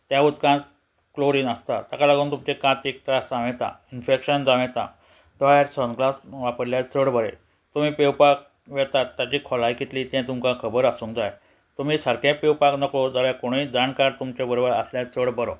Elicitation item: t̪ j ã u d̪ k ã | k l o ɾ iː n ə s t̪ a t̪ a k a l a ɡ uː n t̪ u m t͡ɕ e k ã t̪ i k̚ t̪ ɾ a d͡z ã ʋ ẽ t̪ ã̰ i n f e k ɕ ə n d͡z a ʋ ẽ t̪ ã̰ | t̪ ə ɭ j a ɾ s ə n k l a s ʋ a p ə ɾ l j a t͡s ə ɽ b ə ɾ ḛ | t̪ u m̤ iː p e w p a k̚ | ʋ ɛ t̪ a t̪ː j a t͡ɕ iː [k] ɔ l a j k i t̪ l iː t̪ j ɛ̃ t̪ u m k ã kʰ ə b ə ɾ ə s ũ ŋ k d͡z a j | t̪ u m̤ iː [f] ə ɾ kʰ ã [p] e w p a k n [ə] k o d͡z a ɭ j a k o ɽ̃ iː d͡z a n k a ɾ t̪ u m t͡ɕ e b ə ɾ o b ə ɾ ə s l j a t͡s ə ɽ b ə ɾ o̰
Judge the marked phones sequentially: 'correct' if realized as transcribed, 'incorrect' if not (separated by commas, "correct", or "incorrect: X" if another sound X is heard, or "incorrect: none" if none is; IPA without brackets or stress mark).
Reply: incorrect: kʰ, incorrect: s, correct, correct